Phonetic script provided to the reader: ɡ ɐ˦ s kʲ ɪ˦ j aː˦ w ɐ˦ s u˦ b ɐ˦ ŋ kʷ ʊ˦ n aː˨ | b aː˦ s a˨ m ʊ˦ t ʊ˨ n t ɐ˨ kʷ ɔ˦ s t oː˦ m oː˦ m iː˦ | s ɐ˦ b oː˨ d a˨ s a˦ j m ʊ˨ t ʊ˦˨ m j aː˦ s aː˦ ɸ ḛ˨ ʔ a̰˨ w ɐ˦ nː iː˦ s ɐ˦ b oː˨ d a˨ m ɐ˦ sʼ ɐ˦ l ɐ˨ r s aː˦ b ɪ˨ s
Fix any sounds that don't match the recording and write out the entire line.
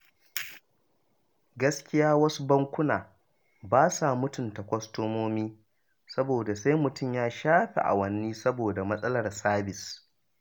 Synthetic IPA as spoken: ɡ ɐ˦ s kʲ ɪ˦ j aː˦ w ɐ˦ s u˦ b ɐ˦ ŋ kʷ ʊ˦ n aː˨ | b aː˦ s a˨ m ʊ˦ t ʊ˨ n t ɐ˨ kʷ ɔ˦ s t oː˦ m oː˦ m iː˦ | s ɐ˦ b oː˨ d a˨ s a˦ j m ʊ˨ t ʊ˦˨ m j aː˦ ʃ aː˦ ɸ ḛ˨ ʔ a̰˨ w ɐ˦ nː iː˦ s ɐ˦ b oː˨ d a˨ m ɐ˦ sʼ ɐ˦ l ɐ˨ r s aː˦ b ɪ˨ s